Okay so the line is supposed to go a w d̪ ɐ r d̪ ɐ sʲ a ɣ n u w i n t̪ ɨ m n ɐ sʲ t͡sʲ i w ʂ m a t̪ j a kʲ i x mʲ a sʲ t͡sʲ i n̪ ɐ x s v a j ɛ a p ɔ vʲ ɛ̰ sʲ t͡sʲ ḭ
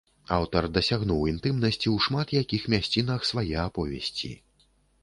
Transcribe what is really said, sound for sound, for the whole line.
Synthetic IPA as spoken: a w t̪ ɐ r d̪ ɐ sʲ a ɣ n u w i n t̪ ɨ m n ɐ sʲ t͡sʲ i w ʂ m a t̪ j a kʲ i x mʲ a sʲ t͡sʲ i n̪ ɐ x s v a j ɛ a p ɔ vʲ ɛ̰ sʲ t͡sʲ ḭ